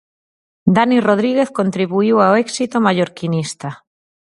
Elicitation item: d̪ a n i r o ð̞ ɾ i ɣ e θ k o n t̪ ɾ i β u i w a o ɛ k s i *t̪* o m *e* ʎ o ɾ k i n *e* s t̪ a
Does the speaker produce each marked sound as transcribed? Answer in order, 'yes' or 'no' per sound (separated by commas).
yes, no, no